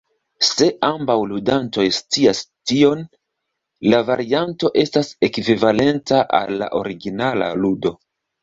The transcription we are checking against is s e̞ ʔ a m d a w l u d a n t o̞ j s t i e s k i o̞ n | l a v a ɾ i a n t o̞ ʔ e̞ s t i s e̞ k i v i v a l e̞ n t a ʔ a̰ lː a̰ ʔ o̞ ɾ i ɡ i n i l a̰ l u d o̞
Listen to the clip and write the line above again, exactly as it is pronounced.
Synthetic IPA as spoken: s e̞ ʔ a m b a w l u d a n t o̞ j s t i a s t i o̞ n | l a v a ɾ i a n t o̞ ʔ e̞ s t a s e̞ k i v i v a l e̞ n t a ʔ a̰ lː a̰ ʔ o̞ ɾ i ɡ i n a l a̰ l u d o̞